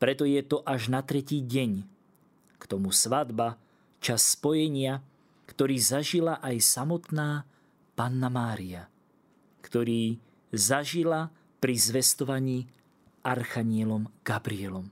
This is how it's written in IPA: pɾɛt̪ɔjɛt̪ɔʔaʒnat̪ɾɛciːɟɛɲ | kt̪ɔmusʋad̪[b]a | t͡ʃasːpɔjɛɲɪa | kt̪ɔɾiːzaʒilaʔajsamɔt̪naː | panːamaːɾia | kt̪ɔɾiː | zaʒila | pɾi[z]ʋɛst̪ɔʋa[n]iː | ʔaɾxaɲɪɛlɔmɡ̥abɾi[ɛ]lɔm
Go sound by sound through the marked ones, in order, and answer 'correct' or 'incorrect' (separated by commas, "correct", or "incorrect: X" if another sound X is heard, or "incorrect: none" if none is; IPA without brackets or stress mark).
correct, correct, incorrect: ɲ, correct